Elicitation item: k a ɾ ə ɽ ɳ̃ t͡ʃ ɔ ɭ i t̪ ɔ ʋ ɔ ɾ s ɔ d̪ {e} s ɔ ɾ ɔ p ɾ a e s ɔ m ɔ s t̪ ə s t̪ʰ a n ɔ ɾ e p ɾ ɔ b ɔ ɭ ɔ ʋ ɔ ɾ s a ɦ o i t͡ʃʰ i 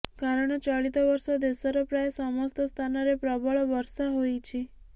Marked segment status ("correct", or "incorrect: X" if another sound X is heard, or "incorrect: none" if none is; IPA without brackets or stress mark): correct